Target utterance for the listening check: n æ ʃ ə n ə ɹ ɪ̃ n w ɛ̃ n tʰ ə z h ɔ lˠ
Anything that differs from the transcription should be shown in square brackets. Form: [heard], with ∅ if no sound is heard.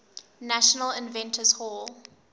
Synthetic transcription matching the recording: n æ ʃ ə n ə [l] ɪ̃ n [v] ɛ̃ n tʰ ə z h ɔ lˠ